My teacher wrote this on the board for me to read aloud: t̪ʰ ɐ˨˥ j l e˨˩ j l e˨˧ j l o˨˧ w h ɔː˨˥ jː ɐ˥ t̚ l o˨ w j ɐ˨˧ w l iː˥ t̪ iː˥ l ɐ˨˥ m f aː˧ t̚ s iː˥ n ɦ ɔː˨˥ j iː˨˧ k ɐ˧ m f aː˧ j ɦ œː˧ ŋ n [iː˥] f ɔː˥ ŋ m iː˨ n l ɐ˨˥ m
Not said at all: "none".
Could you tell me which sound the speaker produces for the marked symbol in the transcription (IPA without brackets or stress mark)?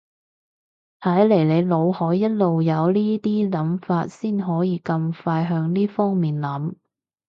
iː˥